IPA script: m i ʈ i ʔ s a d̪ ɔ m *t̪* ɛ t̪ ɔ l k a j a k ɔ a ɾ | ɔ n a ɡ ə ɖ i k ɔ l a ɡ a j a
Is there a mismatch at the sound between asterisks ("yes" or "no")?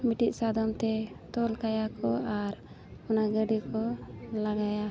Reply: no